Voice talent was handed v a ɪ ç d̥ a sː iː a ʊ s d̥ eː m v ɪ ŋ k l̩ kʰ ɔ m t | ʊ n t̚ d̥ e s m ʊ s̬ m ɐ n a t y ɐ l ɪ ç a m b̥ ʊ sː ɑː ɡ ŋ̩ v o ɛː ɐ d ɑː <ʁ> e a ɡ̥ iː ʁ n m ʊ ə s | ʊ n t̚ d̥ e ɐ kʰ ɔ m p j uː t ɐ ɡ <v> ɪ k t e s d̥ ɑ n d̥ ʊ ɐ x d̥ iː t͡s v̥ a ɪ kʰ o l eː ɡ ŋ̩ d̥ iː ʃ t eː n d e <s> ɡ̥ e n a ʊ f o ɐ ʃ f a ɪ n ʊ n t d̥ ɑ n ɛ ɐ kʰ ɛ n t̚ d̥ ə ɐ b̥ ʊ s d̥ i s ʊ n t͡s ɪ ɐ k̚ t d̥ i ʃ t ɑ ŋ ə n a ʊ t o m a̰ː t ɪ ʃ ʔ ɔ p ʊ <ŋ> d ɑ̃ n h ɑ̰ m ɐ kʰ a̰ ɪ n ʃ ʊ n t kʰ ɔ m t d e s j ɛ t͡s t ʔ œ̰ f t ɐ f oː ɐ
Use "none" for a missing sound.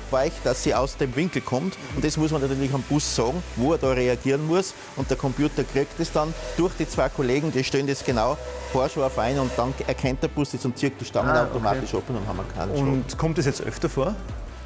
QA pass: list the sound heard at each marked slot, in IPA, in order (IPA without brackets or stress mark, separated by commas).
ʁ, ʁ, s, n